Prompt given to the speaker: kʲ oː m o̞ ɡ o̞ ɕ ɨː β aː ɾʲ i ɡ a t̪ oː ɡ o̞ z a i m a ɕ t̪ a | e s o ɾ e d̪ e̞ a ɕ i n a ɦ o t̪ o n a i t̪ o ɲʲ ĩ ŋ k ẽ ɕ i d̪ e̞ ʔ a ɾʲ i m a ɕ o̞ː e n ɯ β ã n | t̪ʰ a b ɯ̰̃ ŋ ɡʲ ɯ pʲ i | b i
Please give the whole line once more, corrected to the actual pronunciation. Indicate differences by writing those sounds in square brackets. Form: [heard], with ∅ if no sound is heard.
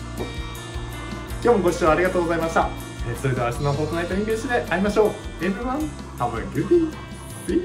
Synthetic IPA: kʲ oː m o̞ ɡ o̞ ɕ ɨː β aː ɾʲ i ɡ a t̪ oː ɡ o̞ z a i m a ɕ t̪ a | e s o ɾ e d̪ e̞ a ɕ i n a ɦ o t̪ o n a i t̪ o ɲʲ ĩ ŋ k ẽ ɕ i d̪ e̞ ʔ a ɾʲ i m a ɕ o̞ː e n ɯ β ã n | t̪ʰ a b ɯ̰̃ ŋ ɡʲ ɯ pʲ i | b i